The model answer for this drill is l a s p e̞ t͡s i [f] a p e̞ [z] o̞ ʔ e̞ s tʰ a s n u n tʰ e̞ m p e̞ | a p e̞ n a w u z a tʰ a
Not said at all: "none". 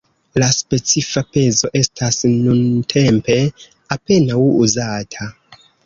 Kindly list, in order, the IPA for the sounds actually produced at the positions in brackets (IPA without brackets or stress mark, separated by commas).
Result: f, z